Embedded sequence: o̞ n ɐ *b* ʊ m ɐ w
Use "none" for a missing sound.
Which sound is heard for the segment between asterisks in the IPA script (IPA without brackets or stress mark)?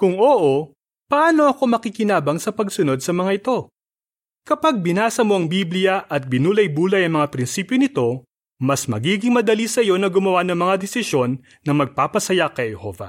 ɡ